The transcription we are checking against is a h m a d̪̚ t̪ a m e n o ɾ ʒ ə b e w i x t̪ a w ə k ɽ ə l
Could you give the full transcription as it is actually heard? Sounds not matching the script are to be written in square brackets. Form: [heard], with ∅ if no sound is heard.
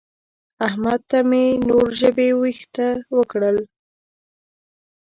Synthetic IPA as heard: a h m a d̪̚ t̪ a m e n o ɾ ʒ ə b e w i x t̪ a w ə k ɽ ə l